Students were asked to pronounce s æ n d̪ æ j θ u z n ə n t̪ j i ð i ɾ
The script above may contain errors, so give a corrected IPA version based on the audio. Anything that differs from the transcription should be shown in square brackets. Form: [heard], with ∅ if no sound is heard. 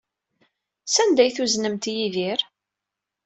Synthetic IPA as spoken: s æ n d̪ æ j θ u z n ə [m] t̪ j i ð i ɾ